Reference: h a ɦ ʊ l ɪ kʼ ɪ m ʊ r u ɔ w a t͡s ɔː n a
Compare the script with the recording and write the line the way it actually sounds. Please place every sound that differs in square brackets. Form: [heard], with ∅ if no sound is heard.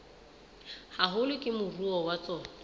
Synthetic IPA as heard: h a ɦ ʊ l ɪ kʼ ɪ m ʊ r u ɔ w a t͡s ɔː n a